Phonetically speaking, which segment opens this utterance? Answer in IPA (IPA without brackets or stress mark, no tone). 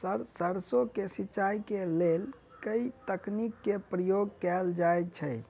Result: s